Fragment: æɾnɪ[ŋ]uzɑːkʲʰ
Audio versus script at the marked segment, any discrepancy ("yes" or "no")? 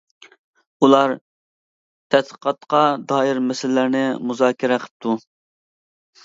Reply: yes